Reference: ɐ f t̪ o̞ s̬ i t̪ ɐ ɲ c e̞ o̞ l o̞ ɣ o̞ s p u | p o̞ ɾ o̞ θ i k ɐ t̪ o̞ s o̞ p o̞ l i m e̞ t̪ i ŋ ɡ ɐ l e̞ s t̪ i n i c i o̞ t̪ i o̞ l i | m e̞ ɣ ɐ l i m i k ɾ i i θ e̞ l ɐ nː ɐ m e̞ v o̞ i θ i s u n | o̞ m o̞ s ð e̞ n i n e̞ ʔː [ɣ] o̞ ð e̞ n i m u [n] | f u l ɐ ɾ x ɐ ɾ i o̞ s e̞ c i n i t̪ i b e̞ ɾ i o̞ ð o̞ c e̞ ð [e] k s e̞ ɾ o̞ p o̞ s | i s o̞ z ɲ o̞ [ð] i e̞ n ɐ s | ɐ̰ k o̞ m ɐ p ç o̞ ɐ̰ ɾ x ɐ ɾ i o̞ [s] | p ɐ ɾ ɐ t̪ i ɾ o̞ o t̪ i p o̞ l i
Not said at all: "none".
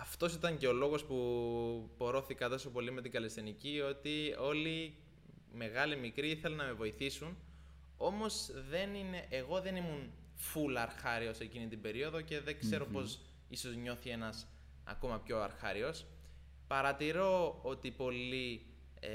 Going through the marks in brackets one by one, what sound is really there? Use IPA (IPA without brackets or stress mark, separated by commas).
ɣ, n, e, θ, s